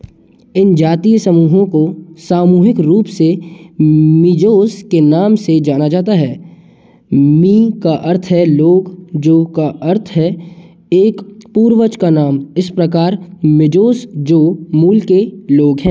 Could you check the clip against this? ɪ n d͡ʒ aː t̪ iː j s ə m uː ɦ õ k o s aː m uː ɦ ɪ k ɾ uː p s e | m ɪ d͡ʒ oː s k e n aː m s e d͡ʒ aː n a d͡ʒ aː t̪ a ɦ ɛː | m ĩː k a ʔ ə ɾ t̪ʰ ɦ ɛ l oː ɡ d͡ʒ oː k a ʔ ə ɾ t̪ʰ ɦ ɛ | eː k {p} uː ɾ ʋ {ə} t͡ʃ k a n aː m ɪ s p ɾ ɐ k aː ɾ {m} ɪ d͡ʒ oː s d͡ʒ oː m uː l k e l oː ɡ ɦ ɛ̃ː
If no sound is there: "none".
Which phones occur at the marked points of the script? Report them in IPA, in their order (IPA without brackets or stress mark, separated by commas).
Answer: p, ə, m